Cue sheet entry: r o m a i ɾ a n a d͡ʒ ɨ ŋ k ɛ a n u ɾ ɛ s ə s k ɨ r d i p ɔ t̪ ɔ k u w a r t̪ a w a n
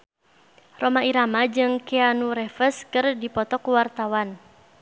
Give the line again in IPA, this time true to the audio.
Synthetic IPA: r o m a i ɾ a m a d͡ʒ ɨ ŋ k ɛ a n u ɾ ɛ f ə s k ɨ r d i p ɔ t̪ ɔ k u w a r t̪ a w a n

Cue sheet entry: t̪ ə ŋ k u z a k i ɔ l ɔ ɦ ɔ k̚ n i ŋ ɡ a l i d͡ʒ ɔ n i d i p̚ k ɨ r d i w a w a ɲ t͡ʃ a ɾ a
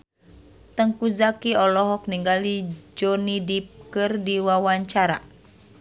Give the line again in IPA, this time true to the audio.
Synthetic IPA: t̪ ə ŋ k u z a k i ɔ l ɔ ɦ ɔ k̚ n i ŋ ɡ a l i d͡ʒ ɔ n i d i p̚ k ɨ r d i w a w a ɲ t͡ʃ a ɾ a

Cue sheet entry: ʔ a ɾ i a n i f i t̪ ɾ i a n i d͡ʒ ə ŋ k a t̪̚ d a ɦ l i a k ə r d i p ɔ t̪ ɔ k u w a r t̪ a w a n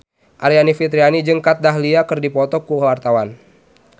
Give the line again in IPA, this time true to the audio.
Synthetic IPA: ʔ a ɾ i a n i f i t̪ ɾ i a n i d͡ʒ ə ŋ k a t̪̚ d a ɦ l i a k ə r d i p ɔ t̪ ɔ k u w a r t̪ a w a n

